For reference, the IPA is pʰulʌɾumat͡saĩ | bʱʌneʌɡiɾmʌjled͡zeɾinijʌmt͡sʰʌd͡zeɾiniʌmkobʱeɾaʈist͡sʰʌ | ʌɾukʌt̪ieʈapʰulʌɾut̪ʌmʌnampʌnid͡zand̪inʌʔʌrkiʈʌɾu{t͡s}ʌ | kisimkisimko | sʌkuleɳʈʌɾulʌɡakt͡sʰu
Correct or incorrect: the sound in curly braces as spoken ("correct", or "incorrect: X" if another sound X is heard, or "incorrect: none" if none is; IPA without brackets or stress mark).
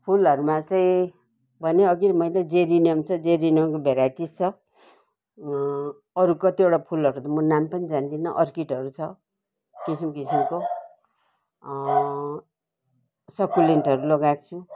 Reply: incorrect: t͡sʰ